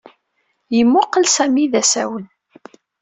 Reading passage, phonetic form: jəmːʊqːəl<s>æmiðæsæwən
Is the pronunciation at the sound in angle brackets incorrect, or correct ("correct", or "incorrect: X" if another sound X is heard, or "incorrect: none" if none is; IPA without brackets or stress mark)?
correct